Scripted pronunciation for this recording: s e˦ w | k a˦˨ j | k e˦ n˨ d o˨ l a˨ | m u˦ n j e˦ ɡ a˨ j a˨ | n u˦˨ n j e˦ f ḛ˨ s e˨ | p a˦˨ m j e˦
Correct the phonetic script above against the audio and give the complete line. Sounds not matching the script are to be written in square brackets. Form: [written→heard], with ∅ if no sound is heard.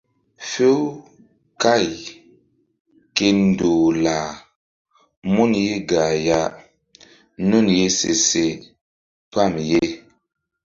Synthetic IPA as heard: [s→f] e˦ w | k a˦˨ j | k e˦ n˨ d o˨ l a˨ | m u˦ n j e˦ ɡ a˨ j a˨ | n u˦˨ n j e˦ [f→s] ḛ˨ s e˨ | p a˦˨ m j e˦